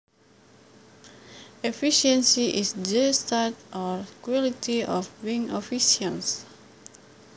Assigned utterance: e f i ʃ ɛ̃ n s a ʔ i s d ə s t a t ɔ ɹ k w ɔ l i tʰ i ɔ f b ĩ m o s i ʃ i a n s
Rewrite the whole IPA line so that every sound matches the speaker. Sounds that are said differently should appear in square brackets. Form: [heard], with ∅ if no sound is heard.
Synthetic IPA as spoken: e f i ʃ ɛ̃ n s [i] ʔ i s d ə s t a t ɔ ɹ k w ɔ l i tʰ i ɔ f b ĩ [ŋ] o [f] i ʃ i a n s

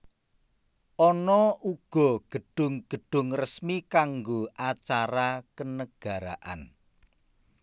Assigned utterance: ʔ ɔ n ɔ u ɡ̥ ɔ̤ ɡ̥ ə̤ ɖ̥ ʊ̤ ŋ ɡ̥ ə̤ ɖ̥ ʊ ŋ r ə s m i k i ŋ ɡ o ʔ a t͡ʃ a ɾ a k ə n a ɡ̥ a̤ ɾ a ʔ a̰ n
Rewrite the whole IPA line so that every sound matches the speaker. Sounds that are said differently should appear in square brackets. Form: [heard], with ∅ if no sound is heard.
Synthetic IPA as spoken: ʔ ɔ n ɔ u ɡ̥ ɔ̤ ɡ̥ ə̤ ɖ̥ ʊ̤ ŋ ɡ̥ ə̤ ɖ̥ ʊ ŋ r ə s m i k [a] ŋ ɡ o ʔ a t͡ʃ a ɾ a k ə n [ə] ɡ̥ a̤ ɾ a ʔ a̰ n

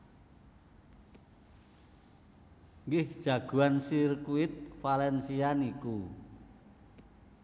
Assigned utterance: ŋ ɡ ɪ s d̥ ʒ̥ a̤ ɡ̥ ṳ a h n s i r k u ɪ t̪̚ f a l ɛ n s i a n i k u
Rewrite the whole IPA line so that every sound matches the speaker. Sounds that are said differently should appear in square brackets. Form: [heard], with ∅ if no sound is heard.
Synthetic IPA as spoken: ŋ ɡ ɪ [h] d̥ ʒ̥ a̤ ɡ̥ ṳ a [∅] n s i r k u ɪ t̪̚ f a l ɛ n s i a n i k u

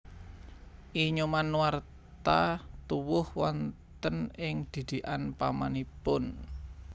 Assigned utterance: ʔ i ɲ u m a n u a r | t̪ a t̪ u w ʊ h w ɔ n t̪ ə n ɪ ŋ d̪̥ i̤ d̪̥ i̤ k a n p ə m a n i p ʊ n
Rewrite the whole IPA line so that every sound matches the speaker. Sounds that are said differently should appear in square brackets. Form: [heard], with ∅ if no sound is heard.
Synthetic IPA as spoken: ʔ i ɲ u m a n [w] a r | t̪ a t̪ u w ʊ h w ɔ n t̪ ə n ɪ ŋ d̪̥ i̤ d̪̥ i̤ [ʔ] a n p [a] m a n i p ʊ n

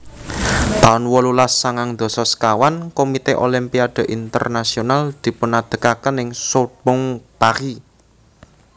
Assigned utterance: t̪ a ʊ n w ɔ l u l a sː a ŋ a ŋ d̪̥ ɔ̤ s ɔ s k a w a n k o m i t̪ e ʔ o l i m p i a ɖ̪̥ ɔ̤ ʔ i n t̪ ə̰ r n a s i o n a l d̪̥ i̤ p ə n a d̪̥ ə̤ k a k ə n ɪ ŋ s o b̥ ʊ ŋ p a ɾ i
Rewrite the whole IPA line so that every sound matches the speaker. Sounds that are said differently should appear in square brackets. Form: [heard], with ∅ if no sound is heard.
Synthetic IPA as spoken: t̪ a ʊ n w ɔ l u l a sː a ŋ a ŋ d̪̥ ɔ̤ s ɔ s k a w a n k o m i t̪ e ʔ o l i m p i a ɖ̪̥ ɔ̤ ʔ i n t̪ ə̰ r n a s i o n a l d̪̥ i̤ p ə n a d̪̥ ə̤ k a k ə n ɪ ŋ s o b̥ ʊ ŋ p a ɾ i

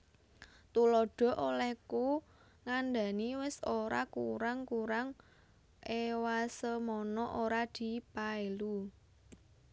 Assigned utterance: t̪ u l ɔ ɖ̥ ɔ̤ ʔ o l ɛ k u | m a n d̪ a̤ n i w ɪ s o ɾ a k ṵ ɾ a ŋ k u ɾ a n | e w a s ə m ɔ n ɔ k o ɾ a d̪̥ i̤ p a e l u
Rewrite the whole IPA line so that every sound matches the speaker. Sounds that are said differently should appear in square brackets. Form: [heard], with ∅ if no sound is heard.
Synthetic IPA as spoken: t̪ u l ɔ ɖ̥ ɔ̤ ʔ o l ɛ k u | [ŋ] a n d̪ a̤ n i w ɪ s o ɾ a k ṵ ɾ a ŋ k u ɾ a [ŋ] | e w a s ə m ɔ n ɔ [ʔ] o ɾ a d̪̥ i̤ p a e l u

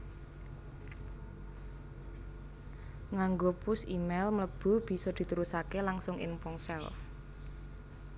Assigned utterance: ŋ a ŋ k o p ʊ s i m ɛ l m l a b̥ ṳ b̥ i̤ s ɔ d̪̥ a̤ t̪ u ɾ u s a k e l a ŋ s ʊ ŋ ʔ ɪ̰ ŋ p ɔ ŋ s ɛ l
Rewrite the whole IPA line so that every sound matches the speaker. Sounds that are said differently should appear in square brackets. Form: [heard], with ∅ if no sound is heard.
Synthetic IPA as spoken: ŋ a ŋ [ɡ] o p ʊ s i m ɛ l m l [ə] b̥ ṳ b̥ i̤ s ɔ d̪̥ [i̤] t̪ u ɾ u s a k e l a ŋ s ʊ ŋ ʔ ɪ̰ ŋ p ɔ ŋ s ɛ l

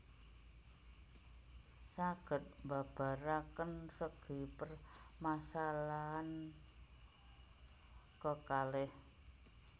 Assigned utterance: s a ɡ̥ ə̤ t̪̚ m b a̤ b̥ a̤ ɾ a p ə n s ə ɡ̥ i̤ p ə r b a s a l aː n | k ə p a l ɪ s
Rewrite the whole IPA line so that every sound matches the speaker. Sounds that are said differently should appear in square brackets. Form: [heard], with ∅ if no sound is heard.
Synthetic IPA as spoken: s a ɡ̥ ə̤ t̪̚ m b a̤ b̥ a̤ ɾ a [k] ə n s ə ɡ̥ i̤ p ə r [m] a s a l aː n | k ə [k] a l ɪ [h]

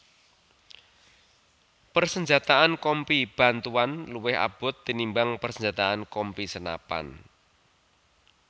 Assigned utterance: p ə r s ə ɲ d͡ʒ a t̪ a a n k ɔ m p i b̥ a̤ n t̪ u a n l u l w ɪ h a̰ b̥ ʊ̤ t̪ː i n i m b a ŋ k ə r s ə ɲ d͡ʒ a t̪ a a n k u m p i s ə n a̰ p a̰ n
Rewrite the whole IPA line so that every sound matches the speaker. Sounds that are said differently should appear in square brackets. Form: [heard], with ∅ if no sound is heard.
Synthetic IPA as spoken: p ə r s ə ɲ d͡ʒ a t̪ a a n k ɔ m p i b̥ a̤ n t̪ u a n l u [∅] w ɪ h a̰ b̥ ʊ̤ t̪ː i n i m b a ŋ [p] ə r s ə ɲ d͡ʒ a t̪ a a n k [ɔ] m p i s ə n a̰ p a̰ n

